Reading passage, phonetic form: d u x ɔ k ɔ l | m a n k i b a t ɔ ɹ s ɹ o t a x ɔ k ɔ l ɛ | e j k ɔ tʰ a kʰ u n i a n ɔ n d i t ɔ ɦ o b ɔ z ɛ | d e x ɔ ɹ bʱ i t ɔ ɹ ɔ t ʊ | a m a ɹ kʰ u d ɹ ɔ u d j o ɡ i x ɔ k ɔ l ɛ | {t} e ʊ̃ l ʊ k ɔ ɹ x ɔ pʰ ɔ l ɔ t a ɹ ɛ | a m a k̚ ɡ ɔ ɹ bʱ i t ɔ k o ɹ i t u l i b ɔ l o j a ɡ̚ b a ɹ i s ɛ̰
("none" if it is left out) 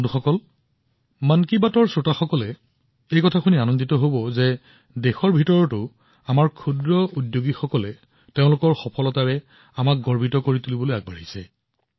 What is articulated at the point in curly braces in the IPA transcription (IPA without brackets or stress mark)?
t